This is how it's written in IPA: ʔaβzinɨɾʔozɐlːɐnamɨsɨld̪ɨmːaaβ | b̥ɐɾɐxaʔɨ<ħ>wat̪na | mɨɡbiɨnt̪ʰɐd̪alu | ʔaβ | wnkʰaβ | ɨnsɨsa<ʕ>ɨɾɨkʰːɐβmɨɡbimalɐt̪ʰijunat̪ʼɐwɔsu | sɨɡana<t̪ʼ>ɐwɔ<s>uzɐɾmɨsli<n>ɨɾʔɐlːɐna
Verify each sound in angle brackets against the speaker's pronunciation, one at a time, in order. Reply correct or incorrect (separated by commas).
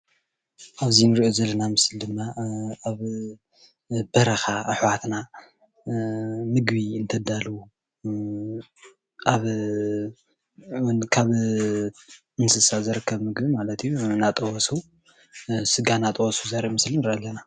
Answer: correct, incorrect, correct, correct, correct